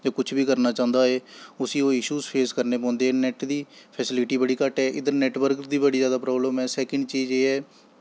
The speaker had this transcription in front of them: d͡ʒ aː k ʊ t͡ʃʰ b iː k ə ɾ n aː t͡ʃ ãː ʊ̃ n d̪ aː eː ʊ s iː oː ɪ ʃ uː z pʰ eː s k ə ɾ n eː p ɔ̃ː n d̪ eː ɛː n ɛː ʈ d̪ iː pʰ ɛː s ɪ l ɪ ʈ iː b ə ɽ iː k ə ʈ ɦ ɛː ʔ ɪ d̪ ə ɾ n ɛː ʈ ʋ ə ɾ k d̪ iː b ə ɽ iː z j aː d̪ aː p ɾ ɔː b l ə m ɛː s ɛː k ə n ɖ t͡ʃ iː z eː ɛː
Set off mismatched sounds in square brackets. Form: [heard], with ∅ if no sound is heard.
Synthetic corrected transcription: d͡ʒ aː k ʊ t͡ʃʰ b iː k ə ɾ n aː t͡ʃ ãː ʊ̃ n d̪ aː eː ʊ s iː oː ɪ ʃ uː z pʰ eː s k ə ɾ n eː p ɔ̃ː n d̪ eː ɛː n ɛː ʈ d̪ iː pʰ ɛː s ɪ l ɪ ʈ iː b ə ɽ iː k ə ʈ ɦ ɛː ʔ ɪ d̪ ə ɾ n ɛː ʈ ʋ ə ɾ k d̪ iː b ə ɽ iː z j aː d̪ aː p ɾ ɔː b l ə m ɛː s ɛː k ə [ɳ] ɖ t͡ʃ iː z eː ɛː